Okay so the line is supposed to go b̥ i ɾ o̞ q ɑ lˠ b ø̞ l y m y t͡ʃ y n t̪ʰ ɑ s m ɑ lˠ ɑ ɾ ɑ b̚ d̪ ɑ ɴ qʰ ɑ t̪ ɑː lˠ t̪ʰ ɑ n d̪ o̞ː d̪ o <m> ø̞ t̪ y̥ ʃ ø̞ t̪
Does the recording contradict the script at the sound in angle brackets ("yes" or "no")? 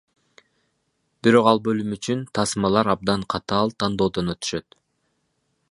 yes